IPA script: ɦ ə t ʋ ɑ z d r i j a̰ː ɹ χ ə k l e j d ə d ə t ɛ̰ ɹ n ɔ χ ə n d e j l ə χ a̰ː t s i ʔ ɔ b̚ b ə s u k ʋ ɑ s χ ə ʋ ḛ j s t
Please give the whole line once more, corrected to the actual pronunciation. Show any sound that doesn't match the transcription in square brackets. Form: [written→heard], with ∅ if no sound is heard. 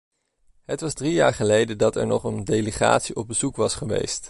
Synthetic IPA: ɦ ə t ʋ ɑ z d r i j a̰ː ɹ χ ə [k→∅] l e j d ə d [ə→ɑ] t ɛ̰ ɹ n ɔ χ ə n d e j l ə χ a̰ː t s i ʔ ɔ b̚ b ə [s→z] u k ʋ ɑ s χ ə ʋ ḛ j s t